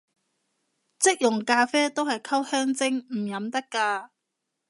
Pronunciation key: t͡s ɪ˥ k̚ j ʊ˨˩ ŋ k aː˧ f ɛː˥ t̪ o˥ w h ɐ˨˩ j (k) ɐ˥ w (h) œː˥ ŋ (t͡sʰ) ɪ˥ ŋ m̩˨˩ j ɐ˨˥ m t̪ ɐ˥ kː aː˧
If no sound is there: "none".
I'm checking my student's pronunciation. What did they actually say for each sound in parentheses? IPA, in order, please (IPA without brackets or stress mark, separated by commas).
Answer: kʰ, h, t͡s